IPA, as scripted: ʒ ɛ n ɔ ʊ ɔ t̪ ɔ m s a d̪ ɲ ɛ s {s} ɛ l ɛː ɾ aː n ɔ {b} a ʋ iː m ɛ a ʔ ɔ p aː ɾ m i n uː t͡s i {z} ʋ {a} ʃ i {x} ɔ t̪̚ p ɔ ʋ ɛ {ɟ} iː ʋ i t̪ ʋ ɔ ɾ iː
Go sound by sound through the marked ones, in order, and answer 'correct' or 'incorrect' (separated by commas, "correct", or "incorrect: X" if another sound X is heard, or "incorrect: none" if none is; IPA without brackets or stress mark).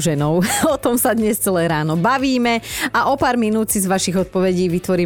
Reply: incorrect: t͡s, correct, correct, correct, incorrect: ɣ, correct